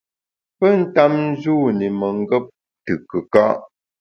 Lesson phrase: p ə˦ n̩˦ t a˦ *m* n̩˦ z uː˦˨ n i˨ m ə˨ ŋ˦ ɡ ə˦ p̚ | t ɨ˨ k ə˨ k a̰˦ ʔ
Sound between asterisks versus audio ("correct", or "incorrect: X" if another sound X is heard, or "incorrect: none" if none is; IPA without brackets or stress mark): correct